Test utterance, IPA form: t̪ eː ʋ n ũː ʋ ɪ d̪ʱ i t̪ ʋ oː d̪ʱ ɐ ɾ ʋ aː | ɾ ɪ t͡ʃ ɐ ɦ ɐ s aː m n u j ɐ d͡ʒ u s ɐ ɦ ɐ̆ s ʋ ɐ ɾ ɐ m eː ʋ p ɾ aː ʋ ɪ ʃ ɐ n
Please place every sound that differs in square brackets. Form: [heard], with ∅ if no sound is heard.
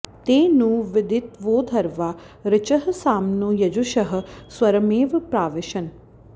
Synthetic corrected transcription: t̪ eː [∅] n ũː ʋ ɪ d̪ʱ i t̪ ʋ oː d̪ʱ ɐ ɾ ʋ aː | ɾ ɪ t͡ʃ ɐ ɦ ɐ s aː m n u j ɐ d͡ʒ u [ʃ] ɐ ɦ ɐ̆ s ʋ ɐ ɾ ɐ m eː ʋ p ɾ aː ʋ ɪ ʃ ɐ n